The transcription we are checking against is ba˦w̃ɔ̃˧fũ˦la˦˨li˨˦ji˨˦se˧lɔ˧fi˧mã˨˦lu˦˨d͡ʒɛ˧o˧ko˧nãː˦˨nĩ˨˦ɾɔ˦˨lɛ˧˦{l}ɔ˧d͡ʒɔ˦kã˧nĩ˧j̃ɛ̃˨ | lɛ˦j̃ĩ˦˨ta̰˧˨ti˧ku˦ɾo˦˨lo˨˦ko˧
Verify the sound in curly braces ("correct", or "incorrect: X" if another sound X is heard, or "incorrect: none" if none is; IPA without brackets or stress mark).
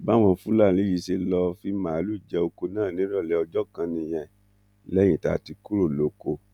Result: incorrect: none